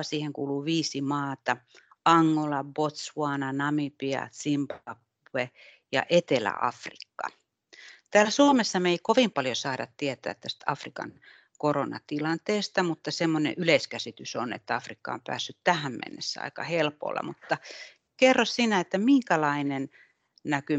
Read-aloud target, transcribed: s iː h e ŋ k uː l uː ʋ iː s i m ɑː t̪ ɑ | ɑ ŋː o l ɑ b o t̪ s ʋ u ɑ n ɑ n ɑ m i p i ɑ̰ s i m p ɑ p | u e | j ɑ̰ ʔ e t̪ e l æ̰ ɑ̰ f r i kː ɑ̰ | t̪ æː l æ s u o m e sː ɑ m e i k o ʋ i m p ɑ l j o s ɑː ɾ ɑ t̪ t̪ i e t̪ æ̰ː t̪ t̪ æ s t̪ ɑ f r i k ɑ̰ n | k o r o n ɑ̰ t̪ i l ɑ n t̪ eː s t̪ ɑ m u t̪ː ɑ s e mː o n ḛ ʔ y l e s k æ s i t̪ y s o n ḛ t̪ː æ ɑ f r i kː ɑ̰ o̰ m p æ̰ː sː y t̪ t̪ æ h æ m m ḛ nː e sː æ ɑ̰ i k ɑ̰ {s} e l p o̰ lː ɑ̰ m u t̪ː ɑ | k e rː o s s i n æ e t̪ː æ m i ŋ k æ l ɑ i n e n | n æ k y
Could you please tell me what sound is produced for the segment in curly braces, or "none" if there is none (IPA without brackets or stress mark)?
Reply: h